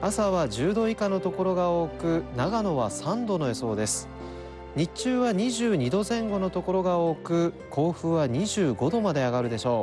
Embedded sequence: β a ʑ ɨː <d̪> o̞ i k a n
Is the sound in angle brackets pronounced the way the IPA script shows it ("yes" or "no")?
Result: yes